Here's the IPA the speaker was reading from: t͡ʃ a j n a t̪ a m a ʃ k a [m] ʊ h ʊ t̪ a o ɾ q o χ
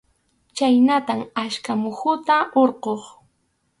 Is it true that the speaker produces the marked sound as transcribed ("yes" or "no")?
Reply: yes